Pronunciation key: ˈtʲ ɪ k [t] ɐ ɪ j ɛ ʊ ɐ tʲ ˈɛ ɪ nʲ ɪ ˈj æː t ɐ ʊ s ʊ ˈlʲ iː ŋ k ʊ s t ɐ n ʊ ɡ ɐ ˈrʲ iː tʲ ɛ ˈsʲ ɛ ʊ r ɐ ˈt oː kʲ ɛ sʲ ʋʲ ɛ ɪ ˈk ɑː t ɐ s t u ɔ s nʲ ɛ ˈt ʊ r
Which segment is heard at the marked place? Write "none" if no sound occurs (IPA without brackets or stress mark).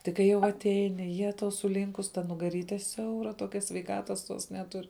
k